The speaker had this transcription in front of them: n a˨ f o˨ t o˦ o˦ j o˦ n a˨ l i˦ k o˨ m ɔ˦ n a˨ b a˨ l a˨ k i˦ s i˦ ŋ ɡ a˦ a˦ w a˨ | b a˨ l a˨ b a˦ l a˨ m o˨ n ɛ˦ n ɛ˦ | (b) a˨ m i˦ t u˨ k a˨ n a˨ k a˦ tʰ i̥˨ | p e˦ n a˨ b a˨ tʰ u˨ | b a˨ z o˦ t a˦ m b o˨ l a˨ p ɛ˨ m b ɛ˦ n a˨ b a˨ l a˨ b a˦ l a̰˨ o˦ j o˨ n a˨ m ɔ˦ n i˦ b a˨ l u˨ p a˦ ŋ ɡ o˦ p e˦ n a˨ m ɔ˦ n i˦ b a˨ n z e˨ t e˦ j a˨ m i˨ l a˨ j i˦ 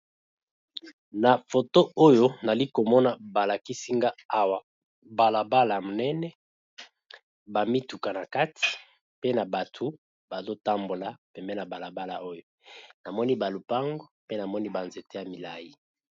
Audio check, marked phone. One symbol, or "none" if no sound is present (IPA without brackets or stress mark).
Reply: b